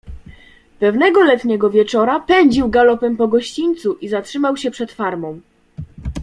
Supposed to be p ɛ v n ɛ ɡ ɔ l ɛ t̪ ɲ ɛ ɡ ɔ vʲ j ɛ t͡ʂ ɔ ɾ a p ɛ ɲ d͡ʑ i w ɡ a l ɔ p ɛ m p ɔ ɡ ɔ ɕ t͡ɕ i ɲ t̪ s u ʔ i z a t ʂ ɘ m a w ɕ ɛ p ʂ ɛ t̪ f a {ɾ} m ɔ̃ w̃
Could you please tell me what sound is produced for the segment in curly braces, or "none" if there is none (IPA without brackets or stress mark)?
ɾ